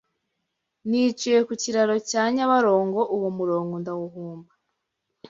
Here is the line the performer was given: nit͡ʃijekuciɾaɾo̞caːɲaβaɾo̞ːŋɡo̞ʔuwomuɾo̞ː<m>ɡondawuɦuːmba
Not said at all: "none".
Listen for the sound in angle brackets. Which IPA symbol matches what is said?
ŋ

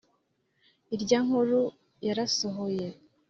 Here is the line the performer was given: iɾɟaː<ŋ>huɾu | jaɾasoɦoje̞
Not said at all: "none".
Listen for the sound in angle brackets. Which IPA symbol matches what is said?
ŋ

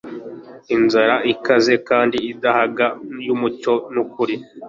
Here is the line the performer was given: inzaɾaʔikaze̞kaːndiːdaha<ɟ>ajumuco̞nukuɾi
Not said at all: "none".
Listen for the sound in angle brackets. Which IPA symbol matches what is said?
ɡ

